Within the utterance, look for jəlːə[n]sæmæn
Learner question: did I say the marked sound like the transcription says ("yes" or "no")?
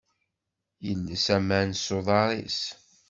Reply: no